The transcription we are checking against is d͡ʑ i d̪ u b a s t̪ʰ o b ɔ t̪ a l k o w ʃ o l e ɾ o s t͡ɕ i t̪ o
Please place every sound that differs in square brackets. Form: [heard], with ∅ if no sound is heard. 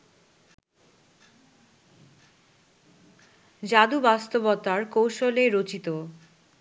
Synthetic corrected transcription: d͡ʑ [a] d̪ u b a s [t̪] o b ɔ t̪ a [ɾ] k o w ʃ o l e ɾ o [∅] t͡ɕ i t̪ o